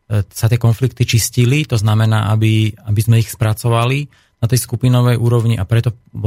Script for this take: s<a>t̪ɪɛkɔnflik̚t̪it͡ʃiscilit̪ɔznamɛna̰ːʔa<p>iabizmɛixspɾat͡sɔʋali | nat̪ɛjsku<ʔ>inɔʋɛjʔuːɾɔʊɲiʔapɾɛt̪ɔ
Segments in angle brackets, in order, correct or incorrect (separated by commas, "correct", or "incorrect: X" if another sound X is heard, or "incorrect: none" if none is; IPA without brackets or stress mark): correct, incorrect: b, incorrect: p